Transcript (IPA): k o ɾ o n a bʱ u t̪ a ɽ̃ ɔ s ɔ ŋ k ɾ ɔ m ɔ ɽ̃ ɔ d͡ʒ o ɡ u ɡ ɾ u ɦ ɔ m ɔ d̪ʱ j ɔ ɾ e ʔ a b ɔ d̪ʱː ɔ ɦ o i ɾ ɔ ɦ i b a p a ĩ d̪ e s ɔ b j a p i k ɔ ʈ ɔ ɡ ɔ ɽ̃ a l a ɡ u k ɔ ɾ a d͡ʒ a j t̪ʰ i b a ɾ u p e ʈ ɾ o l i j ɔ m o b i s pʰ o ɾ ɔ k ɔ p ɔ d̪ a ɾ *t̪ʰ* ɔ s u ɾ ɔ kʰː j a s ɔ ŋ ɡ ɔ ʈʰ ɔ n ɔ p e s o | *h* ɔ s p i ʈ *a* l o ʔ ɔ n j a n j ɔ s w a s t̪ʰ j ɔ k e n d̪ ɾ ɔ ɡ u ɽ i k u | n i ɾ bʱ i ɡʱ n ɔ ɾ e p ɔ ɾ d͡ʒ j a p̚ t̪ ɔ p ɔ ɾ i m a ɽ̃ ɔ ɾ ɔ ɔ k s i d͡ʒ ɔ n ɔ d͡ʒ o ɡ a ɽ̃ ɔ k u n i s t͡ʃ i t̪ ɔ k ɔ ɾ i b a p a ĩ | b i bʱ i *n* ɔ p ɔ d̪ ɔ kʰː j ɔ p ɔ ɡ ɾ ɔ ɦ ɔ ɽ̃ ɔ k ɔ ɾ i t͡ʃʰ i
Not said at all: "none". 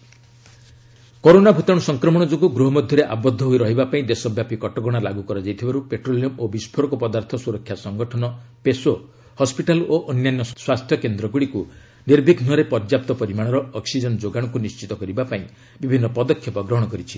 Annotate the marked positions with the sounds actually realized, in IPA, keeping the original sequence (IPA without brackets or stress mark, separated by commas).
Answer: t̪ʰ, h, a, nː